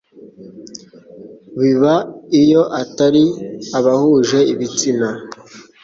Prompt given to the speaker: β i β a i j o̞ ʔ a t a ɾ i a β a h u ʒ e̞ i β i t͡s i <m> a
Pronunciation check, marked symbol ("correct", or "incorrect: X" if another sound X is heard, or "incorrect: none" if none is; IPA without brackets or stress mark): incorrect: n